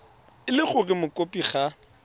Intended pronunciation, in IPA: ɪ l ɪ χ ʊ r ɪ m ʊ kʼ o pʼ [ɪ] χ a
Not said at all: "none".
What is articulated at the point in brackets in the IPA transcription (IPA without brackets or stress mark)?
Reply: i